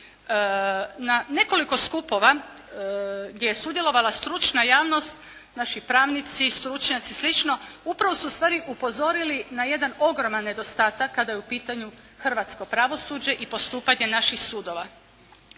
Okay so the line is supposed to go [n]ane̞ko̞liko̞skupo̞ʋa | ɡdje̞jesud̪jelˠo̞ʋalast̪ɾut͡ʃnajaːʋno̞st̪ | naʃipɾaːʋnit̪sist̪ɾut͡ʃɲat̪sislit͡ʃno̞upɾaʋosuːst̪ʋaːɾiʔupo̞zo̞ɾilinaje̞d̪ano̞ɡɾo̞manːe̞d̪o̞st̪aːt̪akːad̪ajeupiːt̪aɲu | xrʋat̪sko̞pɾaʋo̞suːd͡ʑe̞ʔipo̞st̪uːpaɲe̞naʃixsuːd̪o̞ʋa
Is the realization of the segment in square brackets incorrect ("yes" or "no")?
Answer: no